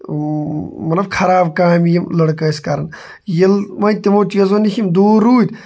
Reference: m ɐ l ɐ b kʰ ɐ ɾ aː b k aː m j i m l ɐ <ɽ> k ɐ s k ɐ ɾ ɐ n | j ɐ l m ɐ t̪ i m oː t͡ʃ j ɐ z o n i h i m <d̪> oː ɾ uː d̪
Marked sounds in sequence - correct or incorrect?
correct, correct

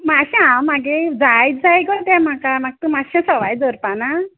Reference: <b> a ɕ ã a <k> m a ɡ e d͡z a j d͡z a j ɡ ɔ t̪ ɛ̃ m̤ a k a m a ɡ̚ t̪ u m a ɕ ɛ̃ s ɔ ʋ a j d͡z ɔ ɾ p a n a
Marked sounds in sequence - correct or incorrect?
incorrect, incorrect

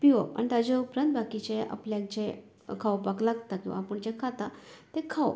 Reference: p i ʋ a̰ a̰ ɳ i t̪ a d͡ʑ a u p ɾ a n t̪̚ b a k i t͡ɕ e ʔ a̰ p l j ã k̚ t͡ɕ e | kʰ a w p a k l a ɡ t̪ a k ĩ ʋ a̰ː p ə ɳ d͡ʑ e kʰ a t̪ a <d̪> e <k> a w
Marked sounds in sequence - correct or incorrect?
incorrect, incorrect

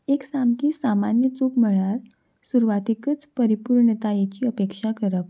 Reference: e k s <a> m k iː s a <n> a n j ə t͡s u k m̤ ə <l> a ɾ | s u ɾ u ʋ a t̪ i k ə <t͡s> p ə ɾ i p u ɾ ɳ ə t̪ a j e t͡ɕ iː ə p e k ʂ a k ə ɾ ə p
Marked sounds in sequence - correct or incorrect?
correct, incorrect, incorrect, correct

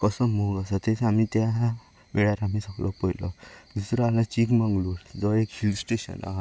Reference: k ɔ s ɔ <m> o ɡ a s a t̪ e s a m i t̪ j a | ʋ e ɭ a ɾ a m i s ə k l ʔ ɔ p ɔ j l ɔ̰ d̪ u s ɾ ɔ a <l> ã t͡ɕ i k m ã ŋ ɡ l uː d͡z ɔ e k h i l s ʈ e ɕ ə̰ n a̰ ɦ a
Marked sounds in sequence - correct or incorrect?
correct, correct

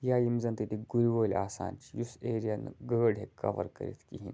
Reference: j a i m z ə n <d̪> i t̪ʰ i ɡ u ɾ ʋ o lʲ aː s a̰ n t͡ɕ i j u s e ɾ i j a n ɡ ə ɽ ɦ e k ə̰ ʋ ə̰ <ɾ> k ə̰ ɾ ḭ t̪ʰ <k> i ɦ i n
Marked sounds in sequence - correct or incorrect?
incorrect, correct, correct

